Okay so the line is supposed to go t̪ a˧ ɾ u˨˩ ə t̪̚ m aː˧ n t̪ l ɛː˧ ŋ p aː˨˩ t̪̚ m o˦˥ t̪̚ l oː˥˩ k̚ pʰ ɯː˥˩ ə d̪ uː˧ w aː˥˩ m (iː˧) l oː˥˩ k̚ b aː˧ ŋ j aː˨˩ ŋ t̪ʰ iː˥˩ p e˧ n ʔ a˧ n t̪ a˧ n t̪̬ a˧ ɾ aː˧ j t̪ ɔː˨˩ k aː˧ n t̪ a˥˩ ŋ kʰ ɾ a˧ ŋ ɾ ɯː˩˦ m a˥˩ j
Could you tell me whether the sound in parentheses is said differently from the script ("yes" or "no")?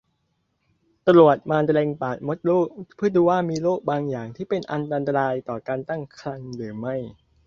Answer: no